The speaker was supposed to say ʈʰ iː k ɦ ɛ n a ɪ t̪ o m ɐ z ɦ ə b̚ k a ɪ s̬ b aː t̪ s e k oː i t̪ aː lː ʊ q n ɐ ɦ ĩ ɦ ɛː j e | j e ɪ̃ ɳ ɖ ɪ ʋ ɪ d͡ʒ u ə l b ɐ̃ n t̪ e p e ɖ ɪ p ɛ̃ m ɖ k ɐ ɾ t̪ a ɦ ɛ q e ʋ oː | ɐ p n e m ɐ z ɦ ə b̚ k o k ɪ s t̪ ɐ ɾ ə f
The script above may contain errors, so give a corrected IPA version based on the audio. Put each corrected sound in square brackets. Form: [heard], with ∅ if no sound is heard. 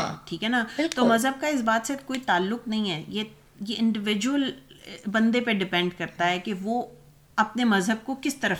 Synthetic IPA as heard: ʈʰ iː k ɦ ɛ n a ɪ t̪ o m ɐ z ɦ ə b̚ k a ɪ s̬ b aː t̪ s e k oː i t̪ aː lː ʊ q n ɐ ɦ ĩ ɦ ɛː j e | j e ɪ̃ ɳ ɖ ɪ ʋ ɪ d͡ʒ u ə l b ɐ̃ n [d̪] e p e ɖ ɪ p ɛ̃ [ɳ] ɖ k ɐ ɾ t̪ a ɦ ɛ [k] e ʋ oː | ɐ p n e m ɐ z ɦ ə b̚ k o k ɪ s t̪ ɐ ɾ ə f